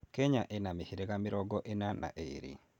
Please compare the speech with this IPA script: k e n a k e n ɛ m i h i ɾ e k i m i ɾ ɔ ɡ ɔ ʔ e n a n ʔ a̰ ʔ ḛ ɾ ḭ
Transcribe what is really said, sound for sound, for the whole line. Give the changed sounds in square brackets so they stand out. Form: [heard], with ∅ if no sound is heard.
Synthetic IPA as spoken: k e [ɲ] a [ʔ] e n [a] m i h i ɾ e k [a] m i ɾ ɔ ɡ ɔ ʔ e n a n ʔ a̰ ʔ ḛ ɾ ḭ